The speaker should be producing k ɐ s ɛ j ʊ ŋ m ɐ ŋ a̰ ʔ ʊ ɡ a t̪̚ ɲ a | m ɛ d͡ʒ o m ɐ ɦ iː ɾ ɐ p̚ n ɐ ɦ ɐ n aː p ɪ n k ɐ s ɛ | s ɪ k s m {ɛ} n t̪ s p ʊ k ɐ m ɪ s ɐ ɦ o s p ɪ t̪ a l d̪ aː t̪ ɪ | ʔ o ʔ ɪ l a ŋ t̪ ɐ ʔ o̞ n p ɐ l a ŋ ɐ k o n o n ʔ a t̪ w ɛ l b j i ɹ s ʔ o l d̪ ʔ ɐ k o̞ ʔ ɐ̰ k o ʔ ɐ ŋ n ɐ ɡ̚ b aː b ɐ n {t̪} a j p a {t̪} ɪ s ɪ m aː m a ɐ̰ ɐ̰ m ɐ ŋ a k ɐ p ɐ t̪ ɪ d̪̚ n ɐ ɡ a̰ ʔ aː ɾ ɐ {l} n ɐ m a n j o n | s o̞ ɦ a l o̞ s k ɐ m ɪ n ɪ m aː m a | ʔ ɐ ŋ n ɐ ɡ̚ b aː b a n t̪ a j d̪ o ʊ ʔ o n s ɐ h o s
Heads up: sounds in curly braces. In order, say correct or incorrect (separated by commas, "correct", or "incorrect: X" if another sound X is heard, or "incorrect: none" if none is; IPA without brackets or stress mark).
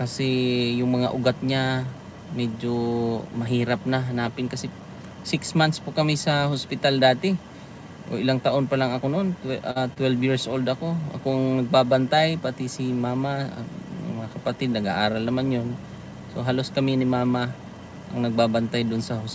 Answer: incorrect: a, correct, correct, correct